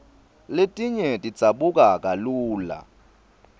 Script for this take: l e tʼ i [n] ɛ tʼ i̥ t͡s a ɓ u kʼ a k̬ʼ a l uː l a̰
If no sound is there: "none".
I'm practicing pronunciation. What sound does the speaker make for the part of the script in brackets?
ɲ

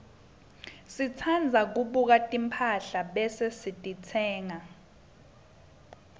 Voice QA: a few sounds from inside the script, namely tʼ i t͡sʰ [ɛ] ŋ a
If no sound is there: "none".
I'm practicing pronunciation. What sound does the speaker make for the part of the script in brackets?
ɛː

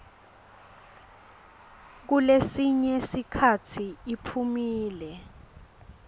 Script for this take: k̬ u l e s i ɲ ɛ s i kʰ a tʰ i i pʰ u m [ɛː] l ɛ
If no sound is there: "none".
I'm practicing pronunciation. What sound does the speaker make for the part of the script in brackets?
iː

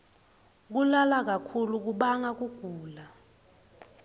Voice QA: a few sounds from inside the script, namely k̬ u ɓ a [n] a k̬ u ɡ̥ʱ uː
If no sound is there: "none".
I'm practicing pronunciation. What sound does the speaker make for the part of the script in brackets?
ŋ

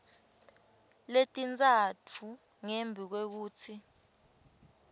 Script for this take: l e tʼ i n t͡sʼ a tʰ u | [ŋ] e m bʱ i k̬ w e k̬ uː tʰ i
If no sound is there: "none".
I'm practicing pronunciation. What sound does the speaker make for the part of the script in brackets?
ŋ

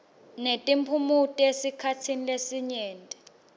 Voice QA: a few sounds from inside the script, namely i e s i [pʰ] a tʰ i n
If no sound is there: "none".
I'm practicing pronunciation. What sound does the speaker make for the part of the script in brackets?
kʰ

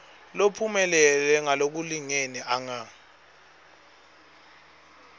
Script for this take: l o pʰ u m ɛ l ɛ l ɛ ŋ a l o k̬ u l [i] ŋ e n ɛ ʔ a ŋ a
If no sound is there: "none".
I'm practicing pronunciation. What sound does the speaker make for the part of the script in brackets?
i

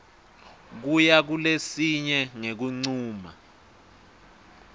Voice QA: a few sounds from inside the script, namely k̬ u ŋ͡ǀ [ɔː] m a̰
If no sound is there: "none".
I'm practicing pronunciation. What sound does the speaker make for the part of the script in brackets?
uː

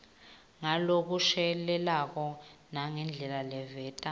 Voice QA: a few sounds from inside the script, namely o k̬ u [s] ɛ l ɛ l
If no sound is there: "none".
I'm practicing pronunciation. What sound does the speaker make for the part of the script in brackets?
ʃ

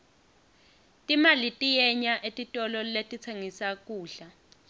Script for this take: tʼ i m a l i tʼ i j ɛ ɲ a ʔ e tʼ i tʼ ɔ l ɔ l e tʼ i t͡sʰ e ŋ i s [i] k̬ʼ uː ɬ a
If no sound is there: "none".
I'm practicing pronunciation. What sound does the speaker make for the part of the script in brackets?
a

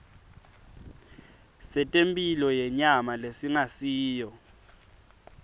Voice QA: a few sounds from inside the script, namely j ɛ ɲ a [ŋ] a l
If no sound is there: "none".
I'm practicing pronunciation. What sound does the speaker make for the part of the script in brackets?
m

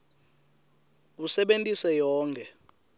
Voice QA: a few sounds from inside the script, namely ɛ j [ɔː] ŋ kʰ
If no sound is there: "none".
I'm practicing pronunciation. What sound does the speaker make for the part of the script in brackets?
ɔː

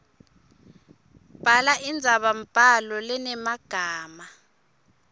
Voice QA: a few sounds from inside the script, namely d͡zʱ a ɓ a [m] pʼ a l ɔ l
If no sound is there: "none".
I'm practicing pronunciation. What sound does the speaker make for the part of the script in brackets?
m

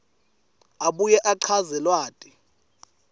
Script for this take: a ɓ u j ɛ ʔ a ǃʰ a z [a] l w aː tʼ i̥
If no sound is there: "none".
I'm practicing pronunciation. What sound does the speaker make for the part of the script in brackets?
ɛ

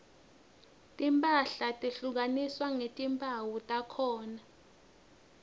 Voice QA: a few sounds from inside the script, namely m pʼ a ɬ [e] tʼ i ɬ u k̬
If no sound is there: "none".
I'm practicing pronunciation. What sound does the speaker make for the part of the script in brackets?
a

